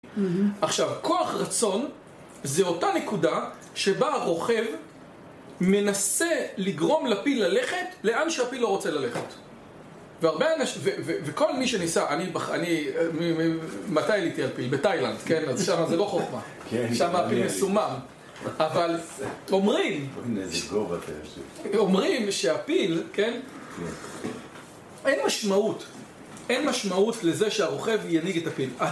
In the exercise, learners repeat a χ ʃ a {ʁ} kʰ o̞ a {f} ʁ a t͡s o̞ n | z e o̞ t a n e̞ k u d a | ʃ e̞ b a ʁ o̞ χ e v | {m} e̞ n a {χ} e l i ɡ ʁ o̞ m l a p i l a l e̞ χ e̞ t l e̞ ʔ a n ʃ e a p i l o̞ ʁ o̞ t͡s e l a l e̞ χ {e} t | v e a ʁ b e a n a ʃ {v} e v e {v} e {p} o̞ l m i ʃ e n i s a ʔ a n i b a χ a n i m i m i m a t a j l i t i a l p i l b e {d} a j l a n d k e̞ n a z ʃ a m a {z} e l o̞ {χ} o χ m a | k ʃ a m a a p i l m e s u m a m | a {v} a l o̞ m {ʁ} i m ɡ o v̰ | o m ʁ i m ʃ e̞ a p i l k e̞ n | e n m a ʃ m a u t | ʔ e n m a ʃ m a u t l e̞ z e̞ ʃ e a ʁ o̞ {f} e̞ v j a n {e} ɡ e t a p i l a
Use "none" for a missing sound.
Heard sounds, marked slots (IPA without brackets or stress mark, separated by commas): v, χ, m, s, e, v, v, k, t, z, χ, v, ʁ, χ, i